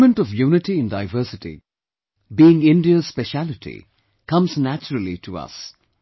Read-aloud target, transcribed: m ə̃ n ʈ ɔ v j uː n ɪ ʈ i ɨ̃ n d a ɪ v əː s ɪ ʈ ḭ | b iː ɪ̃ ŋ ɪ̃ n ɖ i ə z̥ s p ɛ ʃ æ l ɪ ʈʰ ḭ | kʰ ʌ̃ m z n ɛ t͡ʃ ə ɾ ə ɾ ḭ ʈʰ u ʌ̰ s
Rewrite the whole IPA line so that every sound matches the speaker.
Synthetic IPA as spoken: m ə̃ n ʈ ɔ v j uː n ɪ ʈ i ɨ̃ n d a ɪ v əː s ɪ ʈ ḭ | b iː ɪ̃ ŋ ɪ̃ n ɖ i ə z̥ s p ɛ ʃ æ l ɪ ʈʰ ḭ | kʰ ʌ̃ m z n æ t͡ʃ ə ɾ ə l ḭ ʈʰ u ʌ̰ s